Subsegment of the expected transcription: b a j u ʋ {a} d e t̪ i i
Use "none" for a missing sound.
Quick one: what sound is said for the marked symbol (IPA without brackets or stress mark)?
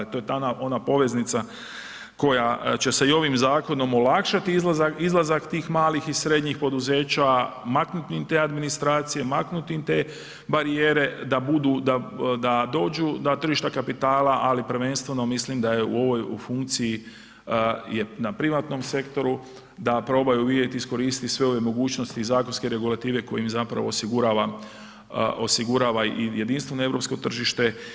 i